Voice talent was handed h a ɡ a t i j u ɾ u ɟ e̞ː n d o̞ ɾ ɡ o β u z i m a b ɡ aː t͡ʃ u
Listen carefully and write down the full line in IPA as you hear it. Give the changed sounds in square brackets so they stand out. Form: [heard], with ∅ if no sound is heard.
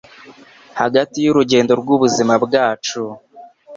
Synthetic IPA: h a ɡ a t i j u ɾ u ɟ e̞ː n d o̞ ɾ ɡ [u] β u z i m a b ɡ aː t͡ʃ u